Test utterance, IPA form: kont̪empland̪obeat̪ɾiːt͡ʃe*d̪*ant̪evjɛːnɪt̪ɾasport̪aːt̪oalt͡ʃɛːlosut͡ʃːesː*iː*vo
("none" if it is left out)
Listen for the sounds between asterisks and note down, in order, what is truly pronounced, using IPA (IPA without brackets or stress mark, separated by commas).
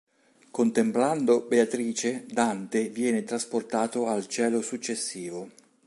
d̪, iː